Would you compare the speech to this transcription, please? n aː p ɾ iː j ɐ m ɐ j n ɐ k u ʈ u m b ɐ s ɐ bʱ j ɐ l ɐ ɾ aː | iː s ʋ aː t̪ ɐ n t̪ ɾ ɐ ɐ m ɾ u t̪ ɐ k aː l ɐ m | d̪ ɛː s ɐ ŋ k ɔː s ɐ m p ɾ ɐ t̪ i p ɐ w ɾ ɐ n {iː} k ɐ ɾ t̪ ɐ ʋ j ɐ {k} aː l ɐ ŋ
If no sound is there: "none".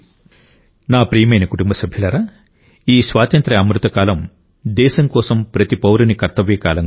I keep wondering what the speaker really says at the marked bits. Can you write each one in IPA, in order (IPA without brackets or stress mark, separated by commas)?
i, k